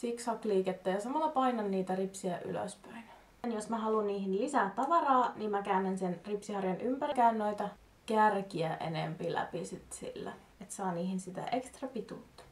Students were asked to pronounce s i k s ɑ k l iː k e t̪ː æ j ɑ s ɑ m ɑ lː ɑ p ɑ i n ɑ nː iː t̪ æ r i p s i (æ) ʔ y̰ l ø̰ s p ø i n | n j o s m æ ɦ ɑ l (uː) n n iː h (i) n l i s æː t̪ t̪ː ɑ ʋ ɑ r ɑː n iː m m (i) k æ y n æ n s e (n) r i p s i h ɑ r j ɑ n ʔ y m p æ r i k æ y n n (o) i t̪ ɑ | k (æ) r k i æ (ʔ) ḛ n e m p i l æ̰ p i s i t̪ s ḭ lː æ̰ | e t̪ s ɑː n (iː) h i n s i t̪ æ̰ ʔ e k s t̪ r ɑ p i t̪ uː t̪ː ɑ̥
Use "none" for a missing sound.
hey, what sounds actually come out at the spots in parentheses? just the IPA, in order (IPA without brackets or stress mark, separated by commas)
æ, u, i, æ, n, o, æ, ʔ, iː